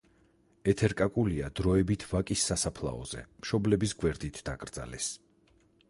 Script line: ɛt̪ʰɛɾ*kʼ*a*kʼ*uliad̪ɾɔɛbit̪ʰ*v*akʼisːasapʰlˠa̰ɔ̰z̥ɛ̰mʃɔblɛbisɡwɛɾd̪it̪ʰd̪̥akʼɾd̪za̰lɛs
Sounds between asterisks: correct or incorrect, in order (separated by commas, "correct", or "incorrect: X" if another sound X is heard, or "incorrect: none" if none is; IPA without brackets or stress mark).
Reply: correct, correct, correct